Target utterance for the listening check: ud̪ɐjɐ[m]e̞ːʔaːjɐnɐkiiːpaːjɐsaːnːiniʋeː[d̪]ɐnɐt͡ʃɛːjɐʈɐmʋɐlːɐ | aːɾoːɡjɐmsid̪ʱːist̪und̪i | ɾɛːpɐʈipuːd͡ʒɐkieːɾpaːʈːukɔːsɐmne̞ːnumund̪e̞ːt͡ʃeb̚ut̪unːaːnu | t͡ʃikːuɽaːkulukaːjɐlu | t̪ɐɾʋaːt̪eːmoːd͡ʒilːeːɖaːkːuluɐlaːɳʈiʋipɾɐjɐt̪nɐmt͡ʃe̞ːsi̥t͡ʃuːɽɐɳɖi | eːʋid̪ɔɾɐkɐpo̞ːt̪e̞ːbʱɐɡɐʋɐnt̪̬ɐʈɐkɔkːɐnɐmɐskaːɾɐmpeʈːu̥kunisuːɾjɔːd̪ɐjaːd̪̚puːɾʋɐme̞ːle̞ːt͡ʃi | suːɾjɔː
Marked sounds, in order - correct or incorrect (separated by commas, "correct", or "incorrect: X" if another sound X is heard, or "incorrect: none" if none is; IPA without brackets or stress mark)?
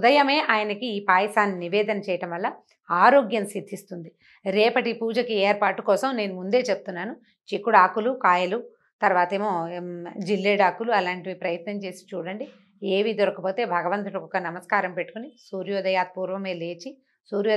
correct, correct